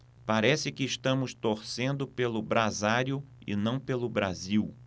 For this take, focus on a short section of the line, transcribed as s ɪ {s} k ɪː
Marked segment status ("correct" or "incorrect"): incorrect